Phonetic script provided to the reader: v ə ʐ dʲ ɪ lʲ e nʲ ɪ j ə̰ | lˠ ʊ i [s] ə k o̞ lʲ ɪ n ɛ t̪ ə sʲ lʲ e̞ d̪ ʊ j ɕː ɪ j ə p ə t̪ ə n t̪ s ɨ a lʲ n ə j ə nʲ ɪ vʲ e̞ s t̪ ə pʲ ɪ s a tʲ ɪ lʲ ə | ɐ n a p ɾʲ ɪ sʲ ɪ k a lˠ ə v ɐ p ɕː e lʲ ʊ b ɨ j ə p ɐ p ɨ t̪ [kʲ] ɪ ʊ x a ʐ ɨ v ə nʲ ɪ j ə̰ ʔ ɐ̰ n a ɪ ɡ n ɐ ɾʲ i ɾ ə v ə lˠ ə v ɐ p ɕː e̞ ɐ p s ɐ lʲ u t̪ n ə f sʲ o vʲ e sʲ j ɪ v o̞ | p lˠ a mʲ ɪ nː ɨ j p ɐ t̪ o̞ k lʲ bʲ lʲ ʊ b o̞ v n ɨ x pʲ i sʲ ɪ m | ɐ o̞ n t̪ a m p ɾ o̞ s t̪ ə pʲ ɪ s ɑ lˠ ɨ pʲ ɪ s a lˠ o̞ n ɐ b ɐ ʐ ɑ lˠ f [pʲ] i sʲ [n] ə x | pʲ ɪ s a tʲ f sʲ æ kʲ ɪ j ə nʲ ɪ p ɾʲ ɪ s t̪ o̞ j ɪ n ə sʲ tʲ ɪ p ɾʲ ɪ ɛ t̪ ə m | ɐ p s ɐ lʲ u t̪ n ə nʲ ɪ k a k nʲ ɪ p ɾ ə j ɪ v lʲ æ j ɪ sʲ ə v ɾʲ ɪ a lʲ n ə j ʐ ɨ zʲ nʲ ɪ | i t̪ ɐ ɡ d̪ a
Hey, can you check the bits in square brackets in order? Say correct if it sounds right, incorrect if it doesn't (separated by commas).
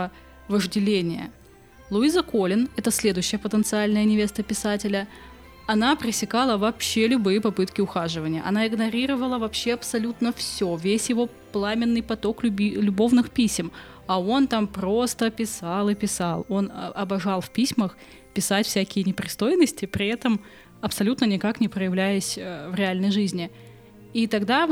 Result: incorrect, correct, correct, incorrect